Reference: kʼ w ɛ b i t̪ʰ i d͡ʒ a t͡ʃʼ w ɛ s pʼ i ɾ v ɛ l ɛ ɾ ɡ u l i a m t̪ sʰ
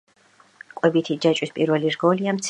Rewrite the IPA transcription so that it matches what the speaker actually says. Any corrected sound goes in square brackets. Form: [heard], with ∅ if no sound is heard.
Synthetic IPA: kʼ w ɛ b i t̪ʰ i d͡ʒ a t͡ʃʼ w [i] s pʼ i ɾ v ɛ l [i] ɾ ɡ [ɔ] l i a m t̪ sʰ